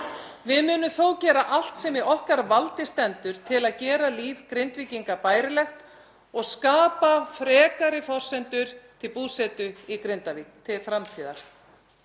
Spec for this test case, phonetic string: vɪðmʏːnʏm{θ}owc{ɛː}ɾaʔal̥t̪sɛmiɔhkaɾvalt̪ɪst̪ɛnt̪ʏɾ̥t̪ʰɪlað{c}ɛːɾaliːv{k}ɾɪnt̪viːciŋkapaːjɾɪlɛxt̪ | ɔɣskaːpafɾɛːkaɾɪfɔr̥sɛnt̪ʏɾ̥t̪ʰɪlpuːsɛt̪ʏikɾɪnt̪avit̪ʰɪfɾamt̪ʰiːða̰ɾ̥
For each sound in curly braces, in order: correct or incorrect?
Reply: correct, correct, correct, correct

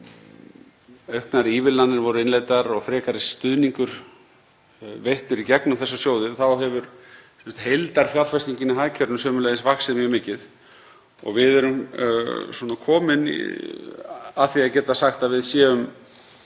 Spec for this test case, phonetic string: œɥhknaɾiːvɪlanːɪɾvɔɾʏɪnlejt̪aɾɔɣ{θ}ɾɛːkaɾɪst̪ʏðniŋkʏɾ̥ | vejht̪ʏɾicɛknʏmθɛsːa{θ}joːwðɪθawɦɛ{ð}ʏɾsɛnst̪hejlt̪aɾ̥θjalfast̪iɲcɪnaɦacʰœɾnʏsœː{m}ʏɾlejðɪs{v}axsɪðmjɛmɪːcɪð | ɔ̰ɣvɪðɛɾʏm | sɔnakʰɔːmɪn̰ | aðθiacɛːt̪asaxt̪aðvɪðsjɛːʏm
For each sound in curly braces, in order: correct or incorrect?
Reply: incorrect: f, incorrect: s, incorrect: v, correct, correct

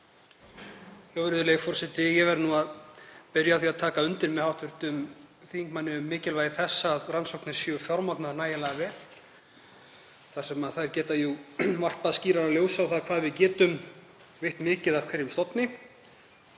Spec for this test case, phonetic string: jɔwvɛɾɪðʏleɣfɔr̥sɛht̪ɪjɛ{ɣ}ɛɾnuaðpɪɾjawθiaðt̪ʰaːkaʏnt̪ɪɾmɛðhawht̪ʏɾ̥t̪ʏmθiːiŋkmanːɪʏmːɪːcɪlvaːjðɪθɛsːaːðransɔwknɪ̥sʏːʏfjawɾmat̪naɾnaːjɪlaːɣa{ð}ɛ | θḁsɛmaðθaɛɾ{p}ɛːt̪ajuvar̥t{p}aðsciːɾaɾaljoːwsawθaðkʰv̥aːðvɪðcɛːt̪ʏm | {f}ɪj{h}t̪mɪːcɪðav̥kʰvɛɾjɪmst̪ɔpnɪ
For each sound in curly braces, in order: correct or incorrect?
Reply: incorrect: v, incorrect: v, incorrect: c, correct, incorrect: v, correct

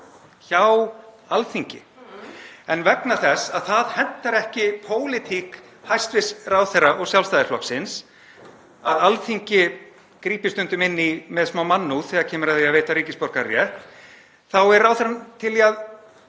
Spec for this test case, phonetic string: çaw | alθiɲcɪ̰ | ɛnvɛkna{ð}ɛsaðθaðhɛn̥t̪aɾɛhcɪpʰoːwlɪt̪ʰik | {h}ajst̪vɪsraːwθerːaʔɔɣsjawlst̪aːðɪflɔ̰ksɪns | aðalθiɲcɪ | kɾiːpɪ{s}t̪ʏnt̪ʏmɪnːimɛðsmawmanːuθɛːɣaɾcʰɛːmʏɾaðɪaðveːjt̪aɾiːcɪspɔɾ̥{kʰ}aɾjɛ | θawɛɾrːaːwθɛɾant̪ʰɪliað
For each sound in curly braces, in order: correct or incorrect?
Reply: incorrect: θ, correct, correct, incorrect: k

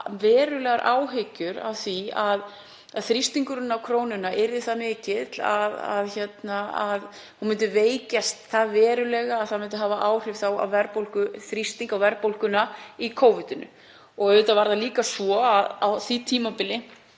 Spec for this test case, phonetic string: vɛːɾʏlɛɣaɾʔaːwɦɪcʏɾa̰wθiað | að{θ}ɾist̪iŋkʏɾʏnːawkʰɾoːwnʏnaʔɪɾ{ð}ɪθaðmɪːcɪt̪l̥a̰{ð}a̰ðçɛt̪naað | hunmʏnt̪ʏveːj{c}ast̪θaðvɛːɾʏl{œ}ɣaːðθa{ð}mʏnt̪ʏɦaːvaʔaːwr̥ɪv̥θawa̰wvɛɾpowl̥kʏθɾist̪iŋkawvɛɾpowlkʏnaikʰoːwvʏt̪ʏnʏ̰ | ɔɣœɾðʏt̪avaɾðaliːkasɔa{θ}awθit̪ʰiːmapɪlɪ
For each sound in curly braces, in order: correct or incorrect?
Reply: correct, correct, correct, correct, incorrect: ɛ, correct, incorrect: ð

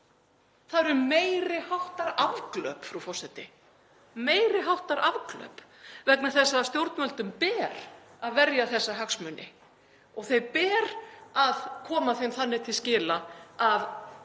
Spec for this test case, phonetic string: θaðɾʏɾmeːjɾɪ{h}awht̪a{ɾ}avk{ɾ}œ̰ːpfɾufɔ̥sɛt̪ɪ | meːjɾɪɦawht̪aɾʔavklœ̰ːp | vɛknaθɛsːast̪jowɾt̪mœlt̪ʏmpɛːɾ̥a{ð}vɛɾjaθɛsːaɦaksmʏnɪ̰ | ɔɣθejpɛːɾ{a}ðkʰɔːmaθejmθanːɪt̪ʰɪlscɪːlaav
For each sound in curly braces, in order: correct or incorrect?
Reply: correct, correct, incorrect: l, correct, correct

